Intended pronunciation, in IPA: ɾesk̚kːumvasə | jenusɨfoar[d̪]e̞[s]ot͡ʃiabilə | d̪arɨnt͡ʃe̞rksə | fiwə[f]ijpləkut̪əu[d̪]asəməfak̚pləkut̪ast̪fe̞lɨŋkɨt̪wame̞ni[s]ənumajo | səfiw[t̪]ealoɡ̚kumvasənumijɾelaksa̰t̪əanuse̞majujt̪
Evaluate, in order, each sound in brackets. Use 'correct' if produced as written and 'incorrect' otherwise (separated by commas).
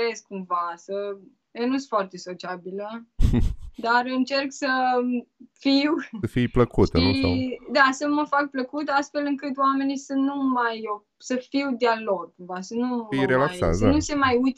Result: incorrect, correct, correct, correct, correct, incorrect